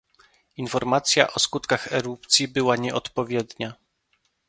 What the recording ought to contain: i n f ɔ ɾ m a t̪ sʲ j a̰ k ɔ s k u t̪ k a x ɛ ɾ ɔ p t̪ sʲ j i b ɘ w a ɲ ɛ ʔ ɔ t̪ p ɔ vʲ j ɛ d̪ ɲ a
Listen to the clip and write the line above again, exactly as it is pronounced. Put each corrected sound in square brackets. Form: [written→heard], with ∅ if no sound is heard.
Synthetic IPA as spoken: i n f ɔ ɾ m a t̪ sʲ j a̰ [k→ʔ] ɔ s k u t̪ k a x ɛ ɾ [ɔ→u] p t̪ sʲ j i b ɘ w a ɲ ɛ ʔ ɔ t̪ p ɔ vʲ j ɛ d̪ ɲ a